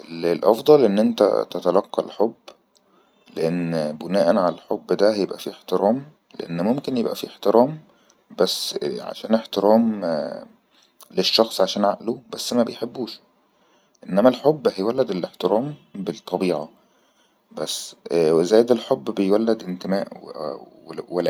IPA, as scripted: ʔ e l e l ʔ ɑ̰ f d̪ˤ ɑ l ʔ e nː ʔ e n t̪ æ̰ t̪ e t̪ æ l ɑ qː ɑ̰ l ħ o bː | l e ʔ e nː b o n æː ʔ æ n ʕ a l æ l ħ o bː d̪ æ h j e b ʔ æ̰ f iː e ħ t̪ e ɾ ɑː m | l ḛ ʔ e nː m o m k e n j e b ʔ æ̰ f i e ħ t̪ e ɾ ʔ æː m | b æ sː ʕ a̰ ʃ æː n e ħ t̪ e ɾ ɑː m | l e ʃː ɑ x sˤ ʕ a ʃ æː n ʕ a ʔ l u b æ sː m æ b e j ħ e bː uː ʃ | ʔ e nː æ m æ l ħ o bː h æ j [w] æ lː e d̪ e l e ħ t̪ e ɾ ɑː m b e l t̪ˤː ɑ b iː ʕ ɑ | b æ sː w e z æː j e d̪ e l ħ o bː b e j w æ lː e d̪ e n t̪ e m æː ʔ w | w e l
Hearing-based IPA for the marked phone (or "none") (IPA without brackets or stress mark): w